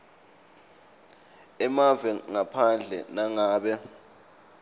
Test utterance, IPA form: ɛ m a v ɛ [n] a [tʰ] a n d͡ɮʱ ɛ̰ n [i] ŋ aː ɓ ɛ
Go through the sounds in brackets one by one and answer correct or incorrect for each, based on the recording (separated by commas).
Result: incorrect, incorrect, incorrect